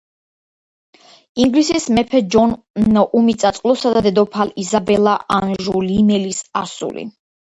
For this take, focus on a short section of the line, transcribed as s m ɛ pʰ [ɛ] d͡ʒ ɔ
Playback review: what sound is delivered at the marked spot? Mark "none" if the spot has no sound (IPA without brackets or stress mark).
ɛ